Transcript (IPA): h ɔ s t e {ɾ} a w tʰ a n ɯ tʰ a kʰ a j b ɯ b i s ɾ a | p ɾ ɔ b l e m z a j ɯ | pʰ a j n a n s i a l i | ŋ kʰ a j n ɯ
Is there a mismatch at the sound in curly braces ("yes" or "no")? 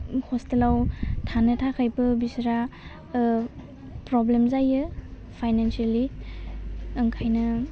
yes